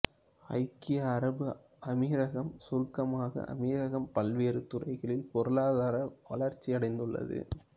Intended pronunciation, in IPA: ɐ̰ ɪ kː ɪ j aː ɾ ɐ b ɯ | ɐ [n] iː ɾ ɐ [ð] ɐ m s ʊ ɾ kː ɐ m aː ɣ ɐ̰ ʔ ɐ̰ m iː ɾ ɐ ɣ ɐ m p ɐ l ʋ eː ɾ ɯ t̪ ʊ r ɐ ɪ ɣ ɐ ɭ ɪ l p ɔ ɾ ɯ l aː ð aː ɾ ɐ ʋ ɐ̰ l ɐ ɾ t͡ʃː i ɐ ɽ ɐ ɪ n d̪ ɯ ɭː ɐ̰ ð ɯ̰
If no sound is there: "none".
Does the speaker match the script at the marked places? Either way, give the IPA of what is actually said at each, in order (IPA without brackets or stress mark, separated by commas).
m, ɣ